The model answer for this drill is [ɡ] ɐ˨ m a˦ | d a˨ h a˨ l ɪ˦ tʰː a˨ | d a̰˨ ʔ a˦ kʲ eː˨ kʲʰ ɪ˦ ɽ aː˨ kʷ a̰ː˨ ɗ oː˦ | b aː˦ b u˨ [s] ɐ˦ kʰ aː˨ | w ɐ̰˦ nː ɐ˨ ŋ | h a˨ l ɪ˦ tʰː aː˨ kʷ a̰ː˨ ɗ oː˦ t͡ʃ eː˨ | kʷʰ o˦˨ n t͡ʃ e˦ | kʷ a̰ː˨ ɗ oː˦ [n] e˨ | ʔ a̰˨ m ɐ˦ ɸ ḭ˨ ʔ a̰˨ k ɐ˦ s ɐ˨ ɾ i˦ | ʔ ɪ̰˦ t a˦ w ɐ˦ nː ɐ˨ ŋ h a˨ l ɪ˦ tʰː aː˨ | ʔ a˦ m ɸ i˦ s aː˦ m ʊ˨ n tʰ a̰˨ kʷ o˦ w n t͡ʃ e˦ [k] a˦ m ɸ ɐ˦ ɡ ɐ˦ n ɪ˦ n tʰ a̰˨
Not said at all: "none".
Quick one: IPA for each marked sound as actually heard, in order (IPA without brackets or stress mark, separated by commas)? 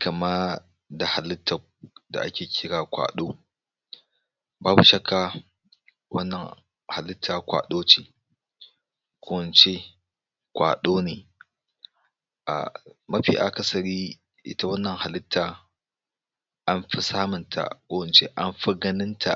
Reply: k, ʃ, n, ʔ